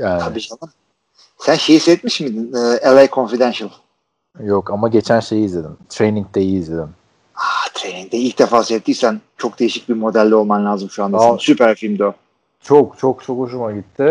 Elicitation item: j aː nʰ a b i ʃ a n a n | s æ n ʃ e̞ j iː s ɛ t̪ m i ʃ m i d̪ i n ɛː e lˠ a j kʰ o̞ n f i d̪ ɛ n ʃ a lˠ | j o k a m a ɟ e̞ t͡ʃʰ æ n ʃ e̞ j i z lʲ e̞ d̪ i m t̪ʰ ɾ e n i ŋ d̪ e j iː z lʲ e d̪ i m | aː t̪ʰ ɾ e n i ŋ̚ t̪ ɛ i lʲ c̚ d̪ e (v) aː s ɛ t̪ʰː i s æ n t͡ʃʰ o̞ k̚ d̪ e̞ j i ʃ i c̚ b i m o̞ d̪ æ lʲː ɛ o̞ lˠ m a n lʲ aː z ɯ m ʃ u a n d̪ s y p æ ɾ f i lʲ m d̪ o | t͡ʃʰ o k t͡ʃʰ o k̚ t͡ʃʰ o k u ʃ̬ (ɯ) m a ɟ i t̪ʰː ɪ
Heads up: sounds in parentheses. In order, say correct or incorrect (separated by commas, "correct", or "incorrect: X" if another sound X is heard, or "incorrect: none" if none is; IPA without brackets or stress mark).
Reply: incorrect: f, incorrect: u